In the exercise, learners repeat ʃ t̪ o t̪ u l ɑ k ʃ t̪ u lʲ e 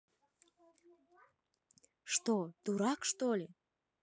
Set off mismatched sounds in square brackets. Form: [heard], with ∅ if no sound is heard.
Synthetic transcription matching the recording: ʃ t̪ o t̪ u [ɾ] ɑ k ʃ t̪ [o] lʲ e